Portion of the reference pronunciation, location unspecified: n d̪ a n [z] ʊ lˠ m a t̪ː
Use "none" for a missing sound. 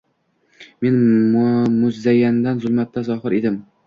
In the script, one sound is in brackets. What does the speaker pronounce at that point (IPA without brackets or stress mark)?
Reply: z